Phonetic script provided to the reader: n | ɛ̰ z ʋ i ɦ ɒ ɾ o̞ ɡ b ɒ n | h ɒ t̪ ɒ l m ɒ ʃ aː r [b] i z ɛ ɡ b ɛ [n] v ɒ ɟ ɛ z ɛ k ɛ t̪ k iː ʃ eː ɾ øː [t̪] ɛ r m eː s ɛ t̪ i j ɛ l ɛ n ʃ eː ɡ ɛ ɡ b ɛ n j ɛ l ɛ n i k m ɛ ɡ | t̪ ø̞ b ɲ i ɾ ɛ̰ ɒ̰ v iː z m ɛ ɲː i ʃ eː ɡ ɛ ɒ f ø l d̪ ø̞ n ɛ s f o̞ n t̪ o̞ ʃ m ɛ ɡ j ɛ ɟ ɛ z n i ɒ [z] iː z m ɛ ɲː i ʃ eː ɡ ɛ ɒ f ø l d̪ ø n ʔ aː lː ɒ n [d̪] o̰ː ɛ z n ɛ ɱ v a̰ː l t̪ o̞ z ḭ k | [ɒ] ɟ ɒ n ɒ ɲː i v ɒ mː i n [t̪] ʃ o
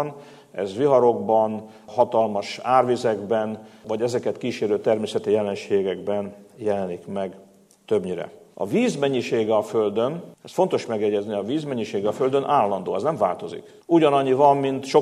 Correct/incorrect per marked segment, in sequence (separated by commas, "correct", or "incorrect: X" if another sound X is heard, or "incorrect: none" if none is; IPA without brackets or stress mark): incorrect: v, correct, correct, incorrect: v, correct, incorrect: u, correct